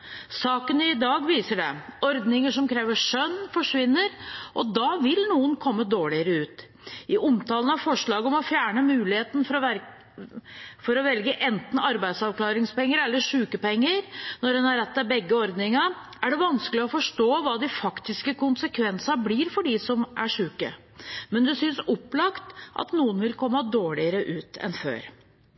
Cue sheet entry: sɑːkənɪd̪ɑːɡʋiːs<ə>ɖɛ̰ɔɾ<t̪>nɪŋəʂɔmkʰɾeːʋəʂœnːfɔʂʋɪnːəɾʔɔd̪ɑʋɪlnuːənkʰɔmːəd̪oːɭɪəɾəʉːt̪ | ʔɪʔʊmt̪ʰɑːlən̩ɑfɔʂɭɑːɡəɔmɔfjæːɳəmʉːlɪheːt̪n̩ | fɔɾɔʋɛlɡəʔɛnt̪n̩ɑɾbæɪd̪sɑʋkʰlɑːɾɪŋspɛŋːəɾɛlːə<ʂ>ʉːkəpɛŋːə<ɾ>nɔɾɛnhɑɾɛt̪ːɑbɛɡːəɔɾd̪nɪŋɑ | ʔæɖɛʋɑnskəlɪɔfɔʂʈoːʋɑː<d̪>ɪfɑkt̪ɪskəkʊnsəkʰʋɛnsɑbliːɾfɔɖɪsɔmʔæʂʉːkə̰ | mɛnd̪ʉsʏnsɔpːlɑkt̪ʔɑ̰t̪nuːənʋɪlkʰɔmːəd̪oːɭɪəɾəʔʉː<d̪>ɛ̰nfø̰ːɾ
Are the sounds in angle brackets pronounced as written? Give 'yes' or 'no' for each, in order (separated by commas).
yes, no, yes, yes, yes, no